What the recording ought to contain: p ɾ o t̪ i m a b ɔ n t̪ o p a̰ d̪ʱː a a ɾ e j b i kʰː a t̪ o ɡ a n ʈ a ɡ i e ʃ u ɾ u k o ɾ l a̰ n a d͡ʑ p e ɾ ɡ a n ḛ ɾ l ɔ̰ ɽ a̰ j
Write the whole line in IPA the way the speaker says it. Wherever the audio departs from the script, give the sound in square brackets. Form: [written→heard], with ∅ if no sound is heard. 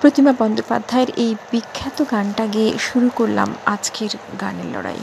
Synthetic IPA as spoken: p ɾ o t̪ i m a b ɔ n [t̪→d̪] o p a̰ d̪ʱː a [a→e] ɾ e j b i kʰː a t̪ o ɡ a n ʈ a ɡ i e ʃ u ɾ u k o ɾ l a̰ [n→m] a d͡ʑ [p→k] e ɾ ɡ a n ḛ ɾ l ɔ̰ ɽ a̰ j